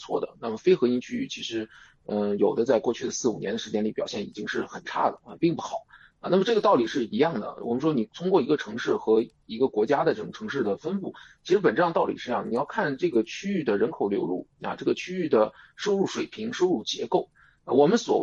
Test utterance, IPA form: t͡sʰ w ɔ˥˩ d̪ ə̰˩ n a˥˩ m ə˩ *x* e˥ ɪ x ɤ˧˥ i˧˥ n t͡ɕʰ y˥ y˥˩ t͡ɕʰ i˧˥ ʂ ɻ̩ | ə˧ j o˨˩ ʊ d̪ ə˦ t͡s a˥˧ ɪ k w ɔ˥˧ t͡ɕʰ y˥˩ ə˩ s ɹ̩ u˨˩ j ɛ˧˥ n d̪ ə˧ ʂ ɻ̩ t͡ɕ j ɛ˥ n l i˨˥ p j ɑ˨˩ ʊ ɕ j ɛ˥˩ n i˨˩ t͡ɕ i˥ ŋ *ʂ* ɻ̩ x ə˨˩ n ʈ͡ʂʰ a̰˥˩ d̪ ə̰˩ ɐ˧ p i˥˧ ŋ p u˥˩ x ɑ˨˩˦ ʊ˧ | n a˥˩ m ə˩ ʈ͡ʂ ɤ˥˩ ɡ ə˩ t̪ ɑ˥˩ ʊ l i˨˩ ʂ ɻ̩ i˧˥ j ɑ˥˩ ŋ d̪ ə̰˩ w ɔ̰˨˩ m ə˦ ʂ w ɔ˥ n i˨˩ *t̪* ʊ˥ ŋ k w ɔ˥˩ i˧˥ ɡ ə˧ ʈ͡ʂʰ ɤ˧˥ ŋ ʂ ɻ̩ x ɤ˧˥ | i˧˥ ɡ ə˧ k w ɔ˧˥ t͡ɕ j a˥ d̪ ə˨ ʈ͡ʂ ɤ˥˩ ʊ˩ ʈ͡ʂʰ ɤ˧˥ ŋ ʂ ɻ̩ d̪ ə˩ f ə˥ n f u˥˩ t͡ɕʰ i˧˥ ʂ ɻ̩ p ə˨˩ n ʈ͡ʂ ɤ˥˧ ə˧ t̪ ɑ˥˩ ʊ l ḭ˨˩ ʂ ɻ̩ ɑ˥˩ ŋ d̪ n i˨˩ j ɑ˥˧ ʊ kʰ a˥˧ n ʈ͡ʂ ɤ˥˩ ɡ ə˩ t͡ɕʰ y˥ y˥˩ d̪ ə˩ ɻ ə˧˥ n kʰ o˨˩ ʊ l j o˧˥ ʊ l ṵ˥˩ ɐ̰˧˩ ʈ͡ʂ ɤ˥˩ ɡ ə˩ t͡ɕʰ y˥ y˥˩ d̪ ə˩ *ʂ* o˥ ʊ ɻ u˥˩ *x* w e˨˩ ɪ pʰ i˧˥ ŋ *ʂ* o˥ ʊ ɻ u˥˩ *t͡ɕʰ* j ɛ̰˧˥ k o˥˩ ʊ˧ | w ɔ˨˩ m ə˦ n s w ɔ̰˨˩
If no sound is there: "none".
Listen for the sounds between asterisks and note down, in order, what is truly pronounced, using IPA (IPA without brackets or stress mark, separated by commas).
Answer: f, ʂ, t̪ʰ, ʂ, ʂ, ʂ, t͡ɕ